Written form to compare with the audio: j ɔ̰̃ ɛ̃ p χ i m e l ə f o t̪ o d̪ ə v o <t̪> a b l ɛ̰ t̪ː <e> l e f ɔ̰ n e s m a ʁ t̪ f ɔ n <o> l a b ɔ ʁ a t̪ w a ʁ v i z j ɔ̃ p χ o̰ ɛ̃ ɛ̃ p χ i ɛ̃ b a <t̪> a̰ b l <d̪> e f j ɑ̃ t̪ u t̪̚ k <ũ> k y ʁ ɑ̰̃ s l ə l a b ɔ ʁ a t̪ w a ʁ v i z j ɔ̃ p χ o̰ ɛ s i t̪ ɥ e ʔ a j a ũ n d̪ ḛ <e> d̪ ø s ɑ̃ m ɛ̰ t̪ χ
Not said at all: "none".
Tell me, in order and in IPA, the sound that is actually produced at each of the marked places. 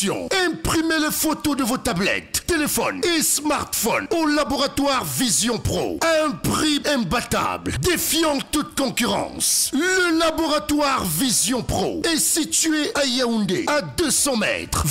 t̪, e, o, t̪, d̪, ɔ̃, a

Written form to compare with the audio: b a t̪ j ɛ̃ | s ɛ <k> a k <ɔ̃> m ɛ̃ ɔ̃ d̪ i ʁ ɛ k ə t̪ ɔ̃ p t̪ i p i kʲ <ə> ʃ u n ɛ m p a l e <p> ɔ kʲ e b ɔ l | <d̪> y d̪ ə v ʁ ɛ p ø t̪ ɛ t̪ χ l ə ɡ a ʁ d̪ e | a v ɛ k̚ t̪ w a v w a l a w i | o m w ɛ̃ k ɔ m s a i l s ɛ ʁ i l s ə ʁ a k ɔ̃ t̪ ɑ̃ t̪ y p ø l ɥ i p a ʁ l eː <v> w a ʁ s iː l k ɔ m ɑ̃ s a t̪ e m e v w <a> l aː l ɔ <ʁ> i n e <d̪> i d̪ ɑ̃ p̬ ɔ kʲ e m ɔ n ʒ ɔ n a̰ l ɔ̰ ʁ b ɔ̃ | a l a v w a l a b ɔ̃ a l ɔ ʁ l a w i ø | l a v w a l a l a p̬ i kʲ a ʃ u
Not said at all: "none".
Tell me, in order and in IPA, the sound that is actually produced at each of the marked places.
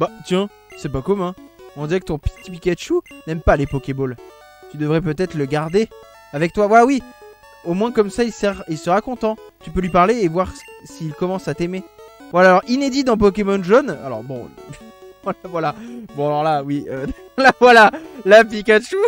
p, ɔ, a, p, t̪, v, a, ʁ, d̪

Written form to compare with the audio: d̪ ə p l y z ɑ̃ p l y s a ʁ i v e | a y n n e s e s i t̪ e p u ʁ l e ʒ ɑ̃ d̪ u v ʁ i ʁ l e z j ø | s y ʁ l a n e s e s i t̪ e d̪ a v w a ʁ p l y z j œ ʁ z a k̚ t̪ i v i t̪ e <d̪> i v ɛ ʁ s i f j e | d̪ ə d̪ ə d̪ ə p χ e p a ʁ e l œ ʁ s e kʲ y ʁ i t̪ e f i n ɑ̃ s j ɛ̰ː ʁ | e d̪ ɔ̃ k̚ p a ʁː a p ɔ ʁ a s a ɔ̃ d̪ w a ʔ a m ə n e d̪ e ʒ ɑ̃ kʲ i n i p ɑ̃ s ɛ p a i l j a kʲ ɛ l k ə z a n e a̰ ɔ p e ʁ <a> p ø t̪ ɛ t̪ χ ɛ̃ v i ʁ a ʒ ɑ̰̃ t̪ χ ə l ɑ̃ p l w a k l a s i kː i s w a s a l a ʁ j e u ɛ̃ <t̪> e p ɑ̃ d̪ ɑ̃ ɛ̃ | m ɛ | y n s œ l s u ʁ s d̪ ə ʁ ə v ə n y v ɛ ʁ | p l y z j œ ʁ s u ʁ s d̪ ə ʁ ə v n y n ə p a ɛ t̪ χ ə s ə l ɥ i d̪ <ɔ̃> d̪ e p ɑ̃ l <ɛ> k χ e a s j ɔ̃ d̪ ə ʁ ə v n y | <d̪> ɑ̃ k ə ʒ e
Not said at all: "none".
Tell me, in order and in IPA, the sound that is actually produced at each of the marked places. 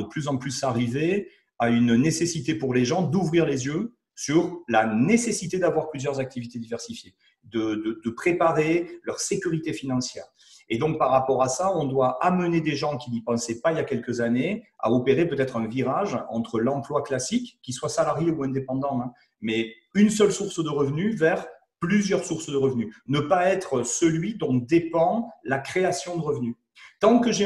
d̪, e, d̪, ɔ̃, a, t̪

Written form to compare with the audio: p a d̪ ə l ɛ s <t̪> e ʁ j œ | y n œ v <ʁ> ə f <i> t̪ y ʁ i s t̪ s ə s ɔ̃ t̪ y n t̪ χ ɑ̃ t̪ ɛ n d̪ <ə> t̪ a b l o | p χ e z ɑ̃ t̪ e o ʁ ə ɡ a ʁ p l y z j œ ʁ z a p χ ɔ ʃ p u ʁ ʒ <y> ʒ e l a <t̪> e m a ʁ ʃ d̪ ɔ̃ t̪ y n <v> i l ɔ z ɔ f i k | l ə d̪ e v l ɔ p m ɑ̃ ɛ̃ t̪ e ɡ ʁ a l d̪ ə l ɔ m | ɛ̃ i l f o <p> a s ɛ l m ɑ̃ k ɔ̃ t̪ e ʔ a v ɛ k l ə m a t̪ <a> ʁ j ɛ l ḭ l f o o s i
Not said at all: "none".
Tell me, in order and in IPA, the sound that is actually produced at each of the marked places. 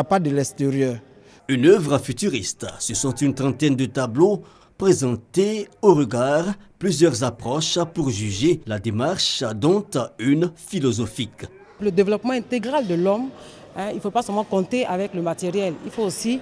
t̪, ʁ, y, ə, y, d̪, f, p, e

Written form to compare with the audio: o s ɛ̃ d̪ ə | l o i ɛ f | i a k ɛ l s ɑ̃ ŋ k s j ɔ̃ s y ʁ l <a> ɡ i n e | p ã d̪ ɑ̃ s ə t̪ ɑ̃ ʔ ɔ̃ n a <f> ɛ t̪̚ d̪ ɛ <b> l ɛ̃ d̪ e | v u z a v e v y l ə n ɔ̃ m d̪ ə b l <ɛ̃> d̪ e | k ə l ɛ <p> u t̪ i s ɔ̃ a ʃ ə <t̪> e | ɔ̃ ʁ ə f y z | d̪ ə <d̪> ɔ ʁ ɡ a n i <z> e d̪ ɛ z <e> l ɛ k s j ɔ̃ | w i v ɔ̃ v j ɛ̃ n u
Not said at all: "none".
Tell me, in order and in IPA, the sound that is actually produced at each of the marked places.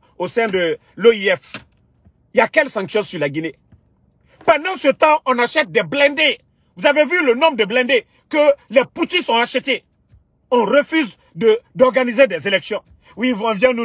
a, ʃ, b, ɛ̃, p, t̪, d̪, z, e

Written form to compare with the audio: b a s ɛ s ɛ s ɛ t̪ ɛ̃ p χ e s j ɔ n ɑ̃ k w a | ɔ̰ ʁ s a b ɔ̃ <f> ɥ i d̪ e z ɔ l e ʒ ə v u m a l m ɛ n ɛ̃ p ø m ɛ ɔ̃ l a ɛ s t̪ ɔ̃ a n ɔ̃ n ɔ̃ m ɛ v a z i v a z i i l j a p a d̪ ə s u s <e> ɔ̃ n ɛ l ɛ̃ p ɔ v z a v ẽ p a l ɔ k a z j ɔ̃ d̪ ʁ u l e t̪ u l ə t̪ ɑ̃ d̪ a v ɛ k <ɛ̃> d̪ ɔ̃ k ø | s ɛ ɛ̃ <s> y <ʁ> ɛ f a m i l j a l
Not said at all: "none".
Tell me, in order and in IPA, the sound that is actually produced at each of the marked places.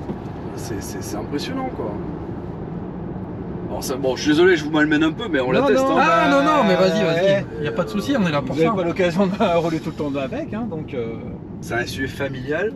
ʃ, i, ɛ̃, s, ʒ

